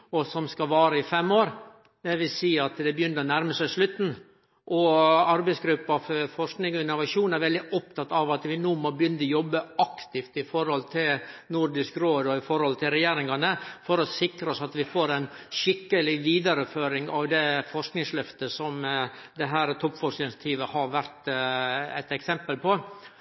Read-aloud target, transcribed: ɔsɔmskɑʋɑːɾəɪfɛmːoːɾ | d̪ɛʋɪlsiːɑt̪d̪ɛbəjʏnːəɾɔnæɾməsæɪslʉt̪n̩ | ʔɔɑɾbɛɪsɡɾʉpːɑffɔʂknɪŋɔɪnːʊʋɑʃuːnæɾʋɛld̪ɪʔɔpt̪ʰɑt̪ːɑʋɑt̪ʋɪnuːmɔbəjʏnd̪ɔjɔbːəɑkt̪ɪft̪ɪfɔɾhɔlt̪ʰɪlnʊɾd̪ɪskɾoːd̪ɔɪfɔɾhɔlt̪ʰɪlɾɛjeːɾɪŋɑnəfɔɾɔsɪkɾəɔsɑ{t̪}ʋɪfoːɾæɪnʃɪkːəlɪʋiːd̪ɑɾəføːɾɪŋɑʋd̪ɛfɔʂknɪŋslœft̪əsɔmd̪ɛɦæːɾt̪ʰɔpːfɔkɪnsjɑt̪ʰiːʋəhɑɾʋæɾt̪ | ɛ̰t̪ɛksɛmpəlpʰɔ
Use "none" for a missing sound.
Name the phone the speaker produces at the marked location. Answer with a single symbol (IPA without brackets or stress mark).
t̪